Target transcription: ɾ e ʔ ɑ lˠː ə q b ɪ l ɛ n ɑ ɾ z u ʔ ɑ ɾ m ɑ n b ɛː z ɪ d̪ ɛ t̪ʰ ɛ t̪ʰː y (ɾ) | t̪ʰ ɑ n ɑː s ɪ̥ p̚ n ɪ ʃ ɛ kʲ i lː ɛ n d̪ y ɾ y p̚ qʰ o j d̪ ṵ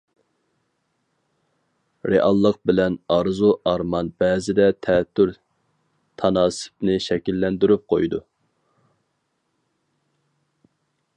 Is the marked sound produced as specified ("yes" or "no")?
yes